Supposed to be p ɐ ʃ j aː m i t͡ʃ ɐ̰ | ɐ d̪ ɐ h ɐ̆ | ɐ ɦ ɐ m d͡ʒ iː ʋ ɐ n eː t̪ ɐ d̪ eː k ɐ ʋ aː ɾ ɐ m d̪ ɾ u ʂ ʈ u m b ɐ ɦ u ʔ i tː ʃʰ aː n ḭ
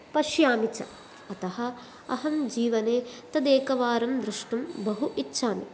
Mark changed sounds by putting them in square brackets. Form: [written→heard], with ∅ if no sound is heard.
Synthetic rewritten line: p ɐ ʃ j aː m i t͡ʃ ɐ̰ | ɐ [d̪→t̪] ɐ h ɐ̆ | ɐ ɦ ɐ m d͡ʒ iː ʋ ɐ n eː t̪ ɐ d̪ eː k ɐ ʋ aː ɾ ɐ m d̪ ɾ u ʂ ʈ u m b ɐ ɦ u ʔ i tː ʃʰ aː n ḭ